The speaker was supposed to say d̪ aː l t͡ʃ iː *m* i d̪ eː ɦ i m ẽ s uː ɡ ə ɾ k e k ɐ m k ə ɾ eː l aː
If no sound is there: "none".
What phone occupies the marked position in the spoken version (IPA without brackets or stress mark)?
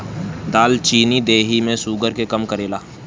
n